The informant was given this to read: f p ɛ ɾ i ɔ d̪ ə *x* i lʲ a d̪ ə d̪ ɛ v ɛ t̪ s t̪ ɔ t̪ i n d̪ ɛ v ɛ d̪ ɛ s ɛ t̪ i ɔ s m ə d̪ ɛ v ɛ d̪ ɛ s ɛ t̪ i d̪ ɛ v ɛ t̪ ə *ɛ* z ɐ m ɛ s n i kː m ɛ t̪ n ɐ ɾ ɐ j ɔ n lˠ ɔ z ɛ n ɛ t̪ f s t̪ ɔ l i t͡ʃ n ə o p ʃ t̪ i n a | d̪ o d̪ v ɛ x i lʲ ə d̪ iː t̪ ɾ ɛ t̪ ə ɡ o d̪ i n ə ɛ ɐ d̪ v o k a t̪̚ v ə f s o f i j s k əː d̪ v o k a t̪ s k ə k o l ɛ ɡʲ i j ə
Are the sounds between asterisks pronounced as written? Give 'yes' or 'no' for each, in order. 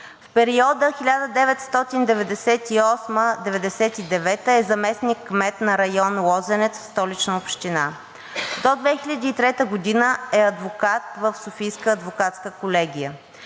yes, yes

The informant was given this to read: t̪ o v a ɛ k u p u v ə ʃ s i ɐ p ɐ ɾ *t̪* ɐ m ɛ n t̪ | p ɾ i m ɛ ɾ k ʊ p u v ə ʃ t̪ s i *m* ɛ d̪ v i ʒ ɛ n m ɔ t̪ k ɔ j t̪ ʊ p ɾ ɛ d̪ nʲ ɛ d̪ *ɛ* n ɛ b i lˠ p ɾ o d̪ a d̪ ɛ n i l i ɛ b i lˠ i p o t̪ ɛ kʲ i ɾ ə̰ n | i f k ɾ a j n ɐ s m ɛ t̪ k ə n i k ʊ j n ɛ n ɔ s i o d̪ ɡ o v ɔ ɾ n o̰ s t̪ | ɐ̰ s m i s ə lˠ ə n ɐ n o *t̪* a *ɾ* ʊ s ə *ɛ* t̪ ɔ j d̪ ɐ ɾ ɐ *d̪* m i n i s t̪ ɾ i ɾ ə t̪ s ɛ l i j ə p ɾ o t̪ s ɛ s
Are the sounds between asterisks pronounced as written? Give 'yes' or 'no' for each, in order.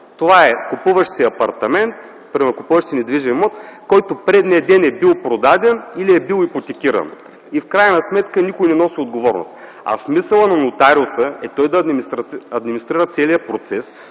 yes, no, yes, yes, yes, yes, yes

